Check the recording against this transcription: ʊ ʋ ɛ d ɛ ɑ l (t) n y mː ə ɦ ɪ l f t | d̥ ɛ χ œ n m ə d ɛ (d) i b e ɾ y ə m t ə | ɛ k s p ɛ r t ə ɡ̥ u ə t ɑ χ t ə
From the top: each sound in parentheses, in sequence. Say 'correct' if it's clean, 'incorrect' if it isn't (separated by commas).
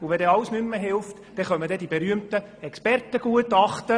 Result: incorrect, correct